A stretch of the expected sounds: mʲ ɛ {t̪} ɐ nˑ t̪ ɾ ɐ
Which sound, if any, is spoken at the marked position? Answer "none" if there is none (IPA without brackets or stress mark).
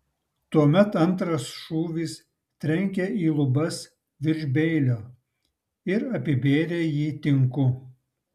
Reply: t̪